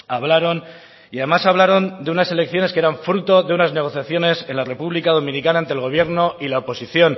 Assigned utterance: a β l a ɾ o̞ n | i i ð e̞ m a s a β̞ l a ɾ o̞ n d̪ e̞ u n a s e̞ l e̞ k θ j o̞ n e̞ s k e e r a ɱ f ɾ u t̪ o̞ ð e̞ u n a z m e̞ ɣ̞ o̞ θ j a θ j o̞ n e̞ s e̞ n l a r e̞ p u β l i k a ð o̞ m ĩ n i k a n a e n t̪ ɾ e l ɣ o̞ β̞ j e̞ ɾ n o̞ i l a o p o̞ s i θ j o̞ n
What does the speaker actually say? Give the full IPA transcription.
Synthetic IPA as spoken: a β l a ɾ o̞ n | i a ð e̞ m a s a β̞ l a ɾ o̞ n d̪ e̞ u n a s e̞ l e̞ k θ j o̞ n e̞ s k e e ɾ a ɱ f ɾ u t̪ o̞ ð e̞ u n a z n e̞ ɣ̞ o̞ θ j a θ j o̞ n e̞ s e̞ n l a r e̞ p u β l i k a ð o̞ m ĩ n i k a n a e n t̪ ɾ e l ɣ o̞ β̞ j e̞ ɾ n o̞ i l a o p o̞ s i θ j o̞ n